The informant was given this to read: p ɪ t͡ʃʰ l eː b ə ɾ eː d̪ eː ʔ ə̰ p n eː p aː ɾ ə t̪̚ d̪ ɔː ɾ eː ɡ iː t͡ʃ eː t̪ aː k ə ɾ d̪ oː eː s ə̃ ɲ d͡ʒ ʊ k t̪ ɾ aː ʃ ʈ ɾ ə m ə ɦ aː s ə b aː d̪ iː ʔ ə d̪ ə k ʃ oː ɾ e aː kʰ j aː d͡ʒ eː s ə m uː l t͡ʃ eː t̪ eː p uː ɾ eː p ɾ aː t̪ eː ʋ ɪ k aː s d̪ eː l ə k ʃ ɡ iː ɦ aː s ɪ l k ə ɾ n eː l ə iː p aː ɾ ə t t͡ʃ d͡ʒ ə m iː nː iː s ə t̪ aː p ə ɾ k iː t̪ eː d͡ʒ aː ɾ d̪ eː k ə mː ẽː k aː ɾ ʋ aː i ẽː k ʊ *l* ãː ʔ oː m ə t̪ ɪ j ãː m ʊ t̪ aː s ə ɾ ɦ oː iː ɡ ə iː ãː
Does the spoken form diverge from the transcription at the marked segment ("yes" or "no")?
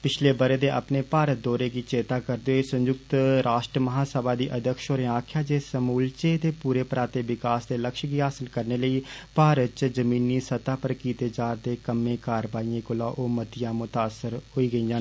no